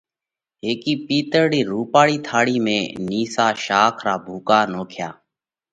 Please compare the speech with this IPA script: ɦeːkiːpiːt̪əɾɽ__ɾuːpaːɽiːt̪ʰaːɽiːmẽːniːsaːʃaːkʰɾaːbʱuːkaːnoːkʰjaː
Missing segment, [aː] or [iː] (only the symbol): iː